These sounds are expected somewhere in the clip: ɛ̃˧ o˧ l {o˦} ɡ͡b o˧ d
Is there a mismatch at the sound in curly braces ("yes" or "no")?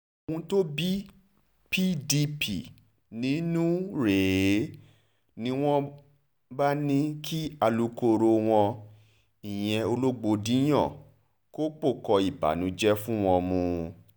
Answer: no